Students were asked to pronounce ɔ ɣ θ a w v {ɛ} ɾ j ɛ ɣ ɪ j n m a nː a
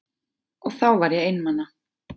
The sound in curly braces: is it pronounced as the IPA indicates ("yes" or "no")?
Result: no